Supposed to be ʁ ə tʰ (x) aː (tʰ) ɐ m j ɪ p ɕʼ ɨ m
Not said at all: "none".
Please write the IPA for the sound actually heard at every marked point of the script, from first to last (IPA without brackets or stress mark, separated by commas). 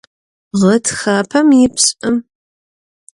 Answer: x, pʰ